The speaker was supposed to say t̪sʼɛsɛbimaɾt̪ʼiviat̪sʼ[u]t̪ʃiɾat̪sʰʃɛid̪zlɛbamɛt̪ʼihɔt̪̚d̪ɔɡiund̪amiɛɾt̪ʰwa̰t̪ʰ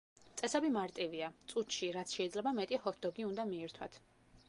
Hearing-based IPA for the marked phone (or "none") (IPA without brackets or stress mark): u